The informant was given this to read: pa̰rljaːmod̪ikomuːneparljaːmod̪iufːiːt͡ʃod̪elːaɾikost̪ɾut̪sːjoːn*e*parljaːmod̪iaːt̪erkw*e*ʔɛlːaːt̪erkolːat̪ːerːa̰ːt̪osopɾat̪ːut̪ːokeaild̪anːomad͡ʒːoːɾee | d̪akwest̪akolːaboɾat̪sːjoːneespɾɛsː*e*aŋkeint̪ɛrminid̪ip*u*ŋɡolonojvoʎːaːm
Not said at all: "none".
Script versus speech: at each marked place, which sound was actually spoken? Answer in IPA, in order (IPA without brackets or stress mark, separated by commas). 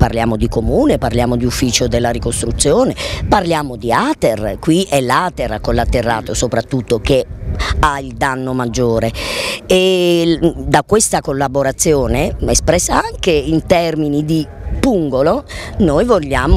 e, i, a, u